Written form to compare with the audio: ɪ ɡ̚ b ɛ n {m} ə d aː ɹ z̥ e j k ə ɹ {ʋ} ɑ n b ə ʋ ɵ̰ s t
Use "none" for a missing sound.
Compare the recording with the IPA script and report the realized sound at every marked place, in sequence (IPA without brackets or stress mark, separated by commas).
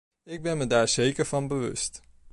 m, v